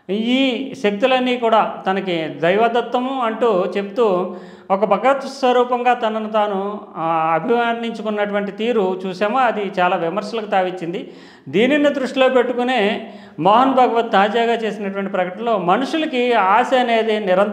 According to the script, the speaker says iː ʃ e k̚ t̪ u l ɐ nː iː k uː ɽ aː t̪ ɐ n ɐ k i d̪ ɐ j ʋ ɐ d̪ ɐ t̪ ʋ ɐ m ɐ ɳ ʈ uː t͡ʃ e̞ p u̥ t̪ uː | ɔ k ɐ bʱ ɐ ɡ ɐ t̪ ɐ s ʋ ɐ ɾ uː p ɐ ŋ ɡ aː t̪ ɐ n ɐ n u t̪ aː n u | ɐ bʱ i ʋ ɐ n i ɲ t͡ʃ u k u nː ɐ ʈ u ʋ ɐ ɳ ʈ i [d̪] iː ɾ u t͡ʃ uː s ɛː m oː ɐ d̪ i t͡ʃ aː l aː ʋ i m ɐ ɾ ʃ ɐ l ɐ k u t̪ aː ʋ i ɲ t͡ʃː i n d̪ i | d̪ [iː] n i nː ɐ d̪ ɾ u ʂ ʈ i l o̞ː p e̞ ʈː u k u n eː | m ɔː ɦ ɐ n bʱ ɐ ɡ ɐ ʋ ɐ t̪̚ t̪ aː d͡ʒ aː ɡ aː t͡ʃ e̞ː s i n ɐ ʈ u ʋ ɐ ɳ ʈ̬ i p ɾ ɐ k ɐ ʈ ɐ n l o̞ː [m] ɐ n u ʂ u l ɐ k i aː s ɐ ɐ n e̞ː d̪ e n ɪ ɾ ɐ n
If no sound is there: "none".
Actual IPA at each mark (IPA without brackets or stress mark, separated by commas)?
t̪, iː, m